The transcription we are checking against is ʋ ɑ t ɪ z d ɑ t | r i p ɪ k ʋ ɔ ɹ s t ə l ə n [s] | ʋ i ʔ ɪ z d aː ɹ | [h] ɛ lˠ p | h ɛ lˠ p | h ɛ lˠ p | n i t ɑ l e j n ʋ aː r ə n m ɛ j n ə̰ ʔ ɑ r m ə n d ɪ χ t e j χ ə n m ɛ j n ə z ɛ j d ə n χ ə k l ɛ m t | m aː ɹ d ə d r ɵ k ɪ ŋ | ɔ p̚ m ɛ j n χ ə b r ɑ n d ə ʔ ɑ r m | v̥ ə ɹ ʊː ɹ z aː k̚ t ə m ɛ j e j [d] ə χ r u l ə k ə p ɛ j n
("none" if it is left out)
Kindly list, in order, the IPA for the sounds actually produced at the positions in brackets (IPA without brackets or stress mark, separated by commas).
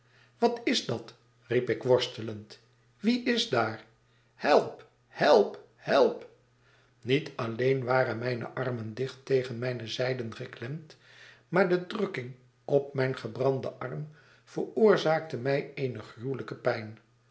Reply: t, h, n